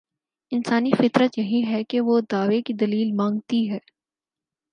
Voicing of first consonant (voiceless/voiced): voiced